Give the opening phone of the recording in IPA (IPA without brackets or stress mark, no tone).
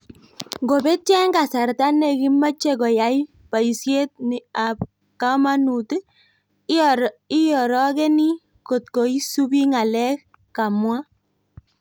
ŋ